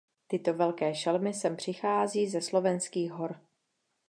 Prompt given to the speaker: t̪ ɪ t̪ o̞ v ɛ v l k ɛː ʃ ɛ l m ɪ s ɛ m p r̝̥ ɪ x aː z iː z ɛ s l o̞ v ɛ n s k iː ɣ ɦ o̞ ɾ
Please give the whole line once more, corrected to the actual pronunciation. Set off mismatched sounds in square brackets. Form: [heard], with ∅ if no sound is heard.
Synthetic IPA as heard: t̪ ɪ t̪ o̞ v ɛ [∅] l k ɛː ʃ ɛ l m ɪ s ɛ m p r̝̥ ɪ x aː z iː z ɛ s l o̞ v ɛ n s k iː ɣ ɦ o̞ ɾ